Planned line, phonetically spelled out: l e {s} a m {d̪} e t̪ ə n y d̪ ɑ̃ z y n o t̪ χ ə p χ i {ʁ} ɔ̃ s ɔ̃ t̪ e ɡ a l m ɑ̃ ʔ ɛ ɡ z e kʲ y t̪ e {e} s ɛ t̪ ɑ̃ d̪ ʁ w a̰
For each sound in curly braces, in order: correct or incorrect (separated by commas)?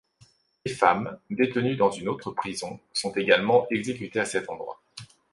incorrect, correct, incorrect, incorrect